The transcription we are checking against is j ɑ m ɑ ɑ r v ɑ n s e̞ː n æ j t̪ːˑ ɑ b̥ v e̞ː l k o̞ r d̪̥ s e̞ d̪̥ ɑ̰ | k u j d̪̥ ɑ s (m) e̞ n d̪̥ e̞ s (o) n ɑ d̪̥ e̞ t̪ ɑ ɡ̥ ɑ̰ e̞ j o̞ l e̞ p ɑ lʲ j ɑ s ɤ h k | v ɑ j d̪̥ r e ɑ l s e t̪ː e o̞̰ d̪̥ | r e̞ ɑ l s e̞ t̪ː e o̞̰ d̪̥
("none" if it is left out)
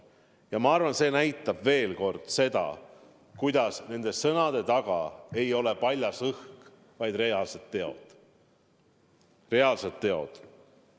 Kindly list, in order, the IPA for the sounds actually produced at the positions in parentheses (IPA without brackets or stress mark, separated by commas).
n, ɤ